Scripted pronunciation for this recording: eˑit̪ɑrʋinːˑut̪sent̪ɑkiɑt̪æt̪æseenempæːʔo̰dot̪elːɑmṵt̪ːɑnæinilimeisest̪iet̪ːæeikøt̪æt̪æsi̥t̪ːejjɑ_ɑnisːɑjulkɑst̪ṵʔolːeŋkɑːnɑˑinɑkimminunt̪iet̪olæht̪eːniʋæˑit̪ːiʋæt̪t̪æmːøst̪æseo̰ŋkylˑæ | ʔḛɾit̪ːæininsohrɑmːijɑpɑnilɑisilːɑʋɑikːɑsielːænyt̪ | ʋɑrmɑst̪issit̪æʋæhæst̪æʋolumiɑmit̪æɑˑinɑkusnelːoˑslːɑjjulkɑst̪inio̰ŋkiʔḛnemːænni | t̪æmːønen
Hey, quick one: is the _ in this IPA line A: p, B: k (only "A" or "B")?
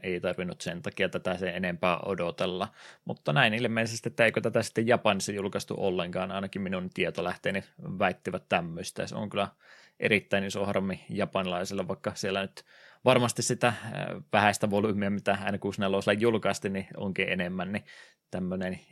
A